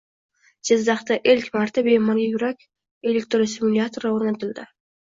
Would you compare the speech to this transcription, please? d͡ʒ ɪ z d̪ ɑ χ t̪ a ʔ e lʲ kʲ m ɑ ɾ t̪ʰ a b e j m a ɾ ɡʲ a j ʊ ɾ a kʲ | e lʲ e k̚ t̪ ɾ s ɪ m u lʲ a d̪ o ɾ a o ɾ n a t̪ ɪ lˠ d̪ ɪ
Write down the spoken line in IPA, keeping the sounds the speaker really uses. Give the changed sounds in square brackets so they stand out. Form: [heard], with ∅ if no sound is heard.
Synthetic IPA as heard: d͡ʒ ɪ z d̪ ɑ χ t̪ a ʔ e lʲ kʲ m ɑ ɾ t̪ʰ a b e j m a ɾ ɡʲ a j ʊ ɾ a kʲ | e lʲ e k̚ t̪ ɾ s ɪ m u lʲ a [t̪] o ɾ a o ɾ n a t̪ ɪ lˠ d̪ ɪ